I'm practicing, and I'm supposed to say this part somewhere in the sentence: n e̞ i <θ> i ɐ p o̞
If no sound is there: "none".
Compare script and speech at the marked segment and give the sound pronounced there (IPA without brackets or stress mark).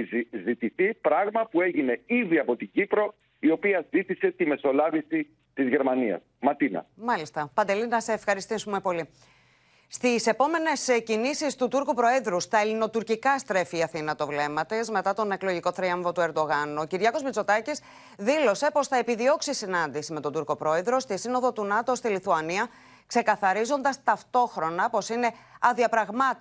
ð